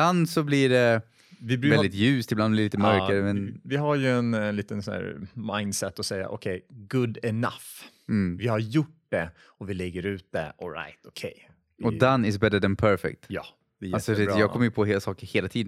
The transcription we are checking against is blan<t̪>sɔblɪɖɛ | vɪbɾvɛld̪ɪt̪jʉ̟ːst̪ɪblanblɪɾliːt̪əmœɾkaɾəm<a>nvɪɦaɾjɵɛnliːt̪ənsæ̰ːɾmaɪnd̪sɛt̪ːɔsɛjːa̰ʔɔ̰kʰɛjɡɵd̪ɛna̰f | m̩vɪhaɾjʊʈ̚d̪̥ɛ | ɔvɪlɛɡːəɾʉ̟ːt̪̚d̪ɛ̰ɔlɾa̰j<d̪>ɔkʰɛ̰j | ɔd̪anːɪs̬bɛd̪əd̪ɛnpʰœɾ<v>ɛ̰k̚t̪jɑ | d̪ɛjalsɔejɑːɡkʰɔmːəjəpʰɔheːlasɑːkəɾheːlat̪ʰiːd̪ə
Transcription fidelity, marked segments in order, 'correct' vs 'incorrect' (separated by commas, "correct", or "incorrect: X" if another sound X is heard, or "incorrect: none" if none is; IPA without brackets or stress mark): incorrect: d̪, incorrect: ɛ, incorrect: t̪, incorrect: f